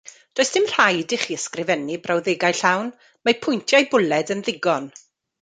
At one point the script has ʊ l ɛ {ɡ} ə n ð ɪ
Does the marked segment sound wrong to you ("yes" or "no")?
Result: yes